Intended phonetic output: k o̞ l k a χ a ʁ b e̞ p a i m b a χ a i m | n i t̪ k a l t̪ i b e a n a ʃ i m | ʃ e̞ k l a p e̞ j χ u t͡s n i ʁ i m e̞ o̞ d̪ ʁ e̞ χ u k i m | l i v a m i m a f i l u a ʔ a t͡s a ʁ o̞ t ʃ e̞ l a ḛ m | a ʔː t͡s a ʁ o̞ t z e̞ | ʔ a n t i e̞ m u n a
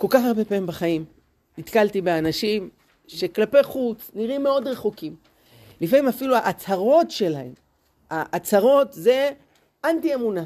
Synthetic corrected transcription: k o̞ l k a χ a ʁ b e̞ p a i m b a χ a i m | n i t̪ k a l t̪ i b e a n a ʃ i m | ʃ e̞ k l a p e̞ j χ u t͡s n i ʁ i m e̞ o̞ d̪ ʁ e̞ χ u k i m | l i f a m i m a f i l u a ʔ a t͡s a ʁ o̞ t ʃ e̞ l a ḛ m | a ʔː t͡s a ʁ o̞ t z e̞ | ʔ a n t i e̞ m u n a